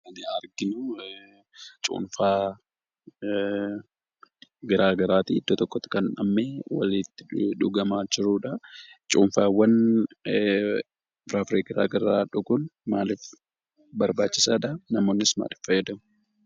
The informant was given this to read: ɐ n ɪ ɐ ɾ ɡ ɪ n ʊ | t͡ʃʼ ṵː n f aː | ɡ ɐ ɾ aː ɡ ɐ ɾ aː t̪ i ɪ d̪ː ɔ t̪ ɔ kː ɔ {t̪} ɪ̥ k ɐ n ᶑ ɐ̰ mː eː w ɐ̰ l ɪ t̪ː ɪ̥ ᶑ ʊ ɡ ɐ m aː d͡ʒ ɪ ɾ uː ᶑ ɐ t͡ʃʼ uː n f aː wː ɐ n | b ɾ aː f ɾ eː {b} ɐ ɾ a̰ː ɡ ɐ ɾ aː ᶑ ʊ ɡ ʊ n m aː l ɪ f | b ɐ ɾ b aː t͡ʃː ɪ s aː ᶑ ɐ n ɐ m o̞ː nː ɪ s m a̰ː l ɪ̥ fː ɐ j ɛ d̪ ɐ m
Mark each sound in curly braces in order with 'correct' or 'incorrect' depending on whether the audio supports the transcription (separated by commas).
correct, incorrect